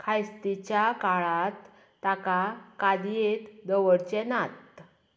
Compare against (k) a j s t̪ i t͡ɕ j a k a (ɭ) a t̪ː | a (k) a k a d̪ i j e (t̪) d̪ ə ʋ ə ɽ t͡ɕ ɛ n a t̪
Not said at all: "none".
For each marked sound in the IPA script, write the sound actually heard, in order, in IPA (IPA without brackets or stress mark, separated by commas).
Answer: kʰ, ɭ, k, t̪